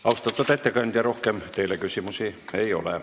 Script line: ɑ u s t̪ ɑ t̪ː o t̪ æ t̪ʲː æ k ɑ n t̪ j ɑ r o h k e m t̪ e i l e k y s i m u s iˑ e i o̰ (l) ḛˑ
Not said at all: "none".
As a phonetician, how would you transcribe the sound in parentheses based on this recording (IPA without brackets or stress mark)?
l